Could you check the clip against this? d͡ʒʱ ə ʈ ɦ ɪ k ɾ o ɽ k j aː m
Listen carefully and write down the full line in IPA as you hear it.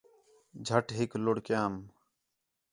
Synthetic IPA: d͡ʒʱ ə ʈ ɦ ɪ k l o ɽ k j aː m